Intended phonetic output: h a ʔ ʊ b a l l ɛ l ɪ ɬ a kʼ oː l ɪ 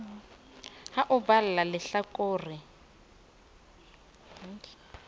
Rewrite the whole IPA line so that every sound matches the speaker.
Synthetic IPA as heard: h a ʔ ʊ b a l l a l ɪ ɬ a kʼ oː r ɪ

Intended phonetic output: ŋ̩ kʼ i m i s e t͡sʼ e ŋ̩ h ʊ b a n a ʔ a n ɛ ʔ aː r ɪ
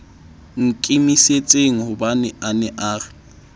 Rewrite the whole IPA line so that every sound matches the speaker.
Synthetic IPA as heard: ŋ̩ kʼ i m i s e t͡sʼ e ŋ̩ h ʊ b a n ɛ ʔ a n ɛ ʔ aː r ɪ

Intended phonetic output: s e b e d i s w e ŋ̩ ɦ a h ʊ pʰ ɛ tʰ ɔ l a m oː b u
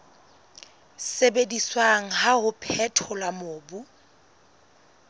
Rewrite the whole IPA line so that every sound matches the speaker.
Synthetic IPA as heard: s e b e d i s w a ŋ̩ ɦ a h ʊ pʰ ɛ tʰ ɔ l a m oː b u

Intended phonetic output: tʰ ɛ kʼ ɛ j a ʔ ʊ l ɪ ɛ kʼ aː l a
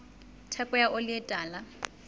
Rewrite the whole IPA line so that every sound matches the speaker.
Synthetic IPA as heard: tʰ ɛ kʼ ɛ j a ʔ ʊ l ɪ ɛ tʼ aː l a

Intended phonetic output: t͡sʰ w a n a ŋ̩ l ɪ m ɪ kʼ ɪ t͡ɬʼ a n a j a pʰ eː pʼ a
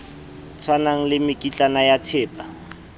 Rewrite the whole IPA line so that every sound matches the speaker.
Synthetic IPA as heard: t͡sʰ w a n a ŋ̩ l ɪ m ɪ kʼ i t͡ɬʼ a n a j a tʰ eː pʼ a

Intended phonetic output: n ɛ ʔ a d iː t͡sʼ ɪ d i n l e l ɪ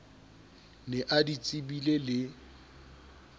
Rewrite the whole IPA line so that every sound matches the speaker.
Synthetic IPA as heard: n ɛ ʔ a d i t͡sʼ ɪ b i l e l ɪ

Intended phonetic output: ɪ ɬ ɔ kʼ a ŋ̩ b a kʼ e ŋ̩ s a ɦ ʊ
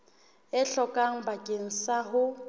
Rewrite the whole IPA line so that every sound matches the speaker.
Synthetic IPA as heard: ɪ ɬ ɔ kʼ a ŋ̩ b a kʼ e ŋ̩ s a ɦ ʊ

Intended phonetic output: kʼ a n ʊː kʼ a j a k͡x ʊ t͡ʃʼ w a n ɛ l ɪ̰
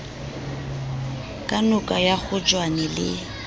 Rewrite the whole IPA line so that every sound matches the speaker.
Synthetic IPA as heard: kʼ a n ʊ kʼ a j a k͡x ʊ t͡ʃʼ w a n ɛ l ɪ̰

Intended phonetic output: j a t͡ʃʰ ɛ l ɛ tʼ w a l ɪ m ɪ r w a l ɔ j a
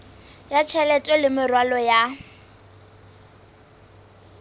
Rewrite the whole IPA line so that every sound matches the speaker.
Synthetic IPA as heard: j a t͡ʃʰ ɛ l ɛ tʼ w ɛ l ɪ m ɪ r w a l ɔ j a

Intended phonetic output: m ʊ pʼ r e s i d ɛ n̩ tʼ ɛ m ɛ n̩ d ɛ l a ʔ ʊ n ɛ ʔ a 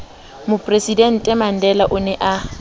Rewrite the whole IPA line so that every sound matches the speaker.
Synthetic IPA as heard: m ʊ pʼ r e s i d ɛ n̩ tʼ ɛ m a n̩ d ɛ l a ʔ ʊ n ɛ ʔ a

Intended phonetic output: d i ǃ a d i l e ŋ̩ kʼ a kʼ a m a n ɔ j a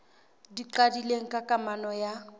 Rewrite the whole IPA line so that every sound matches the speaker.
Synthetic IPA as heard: d i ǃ a d i l e ŋ̩ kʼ a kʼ a m a n ɔ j a

